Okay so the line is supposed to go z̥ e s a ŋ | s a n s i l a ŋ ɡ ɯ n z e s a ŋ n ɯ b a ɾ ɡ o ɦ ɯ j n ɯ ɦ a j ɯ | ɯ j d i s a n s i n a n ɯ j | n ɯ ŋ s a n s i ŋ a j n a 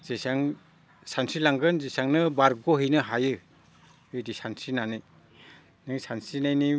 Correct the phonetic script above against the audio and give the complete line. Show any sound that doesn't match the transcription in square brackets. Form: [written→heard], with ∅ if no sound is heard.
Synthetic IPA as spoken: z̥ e s a ŋ | s a n s i l a ŋ ɡ ɯ n z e s a ŋ n ɯ b a ɾ ɡ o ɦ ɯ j n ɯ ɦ a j ɯ | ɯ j d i s a n s i n a n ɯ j | n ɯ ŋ s a n s i [ŋ→n] a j n [a→i]